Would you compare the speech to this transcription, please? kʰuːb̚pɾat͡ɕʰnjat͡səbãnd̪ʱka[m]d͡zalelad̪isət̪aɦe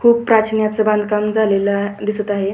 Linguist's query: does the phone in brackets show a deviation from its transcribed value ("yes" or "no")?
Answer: no